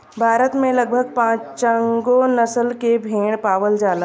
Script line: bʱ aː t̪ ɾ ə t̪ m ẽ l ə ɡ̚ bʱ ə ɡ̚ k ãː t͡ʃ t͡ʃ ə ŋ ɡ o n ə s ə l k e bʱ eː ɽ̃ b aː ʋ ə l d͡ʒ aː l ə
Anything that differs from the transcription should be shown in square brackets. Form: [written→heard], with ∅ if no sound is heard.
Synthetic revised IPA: bʱ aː [t̪→∅] ɾ ə t̪ m ẽ l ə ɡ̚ bʱ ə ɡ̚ [k→p] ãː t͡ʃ t͡ʃ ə ŋ ɡ o n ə s ə l k e bʱ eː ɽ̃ [b→p] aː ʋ ə l d͡ʒ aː l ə